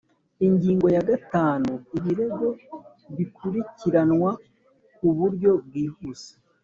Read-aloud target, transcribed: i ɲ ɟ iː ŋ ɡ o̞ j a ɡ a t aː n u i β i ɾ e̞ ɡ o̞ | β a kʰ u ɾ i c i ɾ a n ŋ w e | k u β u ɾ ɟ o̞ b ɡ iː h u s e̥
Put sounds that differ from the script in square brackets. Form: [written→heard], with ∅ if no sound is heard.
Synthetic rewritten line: i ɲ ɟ iː ŋ ɡ o̞ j a ɡ a t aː n u i β i ɾ e̞ ɡ o̞ | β [a→i] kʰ u ɾ i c i ɾ a n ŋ w [e→a] | k u β u ɾ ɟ o̞ b ɡ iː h u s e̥